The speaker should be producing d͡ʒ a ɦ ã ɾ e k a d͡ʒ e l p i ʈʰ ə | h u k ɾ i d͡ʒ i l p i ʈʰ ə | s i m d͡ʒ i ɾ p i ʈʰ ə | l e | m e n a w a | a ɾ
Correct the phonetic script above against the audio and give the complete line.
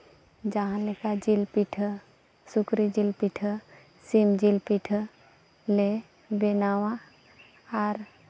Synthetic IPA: d͡ʒ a ɦ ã l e k a d͡ʒ i l p i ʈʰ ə | s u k ɾ i d͡ʒ i l p i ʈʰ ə | s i m d͡ʒ i l p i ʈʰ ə | l e | b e n a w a | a ɾ